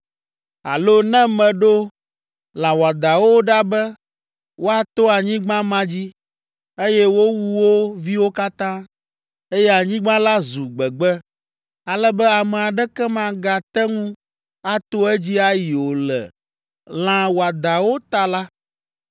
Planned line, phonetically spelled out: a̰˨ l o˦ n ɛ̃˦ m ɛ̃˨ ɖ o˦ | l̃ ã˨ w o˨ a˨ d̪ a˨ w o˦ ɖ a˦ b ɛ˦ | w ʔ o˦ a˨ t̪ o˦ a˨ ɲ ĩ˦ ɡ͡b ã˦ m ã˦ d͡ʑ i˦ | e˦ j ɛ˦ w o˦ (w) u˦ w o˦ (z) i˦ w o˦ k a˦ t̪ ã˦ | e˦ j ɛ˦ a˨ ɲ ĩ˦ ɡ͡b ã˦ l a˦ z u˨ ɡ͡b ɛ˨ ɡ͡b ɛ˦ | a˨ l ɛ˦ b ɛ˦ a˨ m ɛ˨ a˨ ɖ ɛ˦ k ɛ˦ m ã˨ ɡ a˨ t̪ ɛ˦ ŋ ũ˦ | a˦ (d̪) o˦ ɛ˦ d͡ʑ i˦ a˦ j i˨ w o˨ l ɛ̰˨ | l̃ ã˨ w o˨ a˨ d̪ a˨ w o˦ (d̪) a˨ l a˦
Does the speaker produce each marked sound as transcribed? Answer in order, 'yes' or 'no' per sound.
yes, no, no, no

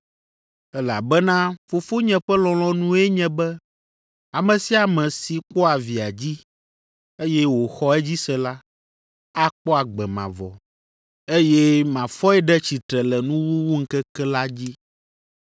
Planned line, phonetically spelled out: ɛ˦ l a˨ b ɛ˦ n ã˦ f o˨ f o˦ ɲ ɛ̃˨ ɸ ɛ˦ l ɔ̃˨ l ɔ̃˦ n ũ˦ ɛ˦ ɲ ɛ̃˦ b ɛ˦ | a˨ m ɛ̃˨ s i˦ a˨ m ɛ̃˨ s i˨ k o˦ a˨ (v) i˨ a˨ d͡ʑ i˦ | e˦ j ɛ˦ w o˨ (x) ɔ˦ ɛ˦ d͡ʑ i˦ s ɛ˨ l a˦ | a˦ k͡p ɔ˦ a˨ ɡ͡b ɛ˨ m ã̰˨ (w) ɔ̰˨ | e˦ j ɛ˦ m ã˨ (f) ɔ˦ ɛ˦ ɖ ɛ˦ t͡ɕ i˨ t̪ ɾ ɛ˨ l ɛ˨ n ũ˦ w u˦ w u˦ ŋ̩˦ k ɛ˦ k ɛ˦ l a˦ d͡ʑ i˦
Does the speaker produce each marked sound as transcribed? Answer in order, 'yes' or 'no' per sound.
yes, yes, no, yes

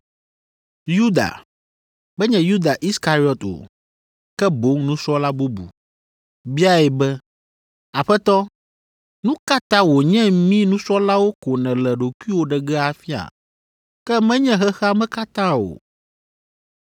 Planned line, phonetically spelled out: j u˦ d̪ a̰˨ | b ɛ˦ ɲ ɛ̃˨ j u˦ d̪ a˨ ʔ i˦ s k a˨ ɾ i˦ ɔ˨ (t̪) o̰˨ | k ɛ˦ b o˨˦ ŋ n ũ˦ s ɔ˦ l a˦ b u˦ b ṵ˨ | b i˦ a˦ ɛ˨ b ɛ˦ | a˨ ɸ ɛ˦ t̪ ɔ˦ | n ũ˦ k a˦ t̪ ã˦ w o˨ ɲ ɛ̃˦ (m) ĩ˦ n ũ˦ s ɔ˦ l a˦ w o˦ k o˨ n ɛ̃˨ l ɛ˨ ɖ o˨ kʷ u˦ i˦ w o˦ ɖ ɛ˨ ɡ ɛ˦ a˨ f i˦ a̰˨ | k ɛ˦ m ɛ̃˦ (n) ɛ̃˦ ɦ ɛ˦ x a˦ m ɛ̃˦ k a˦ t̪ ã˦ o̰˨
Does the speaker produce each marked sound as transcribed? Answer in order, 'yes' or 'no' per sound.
yes, yes, no

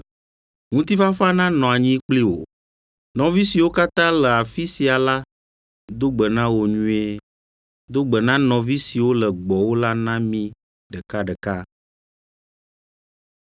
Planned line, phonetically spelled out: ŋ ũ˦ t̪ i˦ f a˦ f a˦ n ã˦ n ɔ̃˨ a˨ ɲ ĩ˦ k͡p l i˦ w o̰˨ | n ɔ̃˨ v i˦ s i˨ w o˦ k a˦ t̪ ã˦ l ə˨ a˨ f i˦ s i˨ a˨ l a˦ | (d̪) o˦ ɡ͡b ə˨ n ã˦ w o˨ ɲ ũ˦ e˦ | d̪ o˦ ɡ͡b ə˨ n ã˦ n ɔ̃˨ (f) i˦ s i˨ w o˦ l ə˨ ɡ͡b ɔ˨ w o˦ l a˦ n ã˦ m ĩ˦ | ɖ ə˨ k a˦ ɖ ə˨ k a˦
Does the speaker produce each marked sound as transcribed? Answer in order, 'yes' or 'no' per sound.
yes, no

